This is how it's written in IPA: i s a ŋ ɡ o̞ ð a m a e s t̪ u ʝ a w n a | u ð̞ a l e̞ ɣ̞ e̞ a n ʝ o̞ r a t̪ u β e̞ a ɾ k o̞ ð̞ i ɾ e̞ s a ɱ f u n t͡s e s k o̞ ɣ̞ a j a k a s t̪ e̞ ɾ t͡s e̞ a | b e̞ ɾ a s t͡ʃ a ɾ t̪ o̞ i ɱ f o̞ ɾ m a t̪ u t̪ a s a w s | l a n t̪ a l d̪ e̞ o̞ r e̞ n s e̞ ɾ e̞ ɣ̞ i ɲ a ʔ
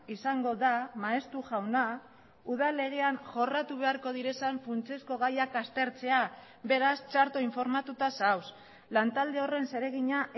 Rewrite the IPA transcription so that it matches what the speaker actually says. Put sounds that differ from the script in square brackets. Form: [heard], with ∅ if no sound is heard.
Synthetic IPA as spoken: i s a ŋ ɡ o̞ ð a m a e s t̪ u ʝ a w n a | u ð̞ a l e̞ ɣ̞ e̞ a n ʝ o̞ r a t̪ u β e̞ a ɾ k o̞ ð̞ i ɾ e̞ s a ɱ f u n t͡s e s k o̞ ɣ̞ a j a k a s t̪ e̞ ɾ t͡s e̞ a | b e̞ ɾ a s t͡ʃ a ɾ t̪ o̞ i ɱ f o̞ ɾ m a t̪ u t̪ a s a w s | l a n t̪ a l d̪ e̞ o̞ r e̞ n s e̞ ɾ e̞ ɣ̞ i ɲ a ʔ